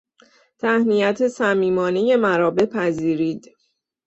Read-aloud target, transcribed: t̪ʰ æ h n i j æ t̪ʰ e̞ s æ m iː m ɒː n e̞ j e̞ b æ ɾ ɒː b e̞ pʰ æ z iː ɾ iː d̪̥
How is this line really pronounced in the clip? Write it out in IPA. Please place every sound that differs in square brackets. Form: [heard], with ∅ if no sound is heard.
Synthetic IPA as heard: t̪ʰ æ h n i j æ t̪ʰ e̞ s æ m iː m ɒː n e̞ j e̞ [m] æ ɾ ɒː b e̞ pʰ æ z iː ɾ iː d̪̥